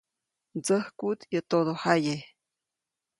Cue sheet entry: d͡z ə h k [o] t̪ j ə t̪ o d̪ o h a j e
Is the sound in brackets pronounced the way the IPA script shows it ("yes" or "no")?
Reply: no